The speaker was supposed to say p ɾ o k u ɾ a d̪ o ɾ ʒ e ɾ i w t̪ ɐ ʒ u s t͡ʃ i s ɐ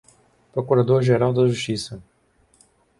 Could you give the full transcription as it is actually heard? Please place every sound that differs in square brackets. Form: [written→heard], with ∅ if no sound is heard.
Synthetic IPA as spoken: p ɾ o k u ɾ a d̪ o ɾ ʒ e ɾ [i→a] w [t̪→d̪] ɐ ʒ u [s→ʃ] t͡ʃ i s ɐ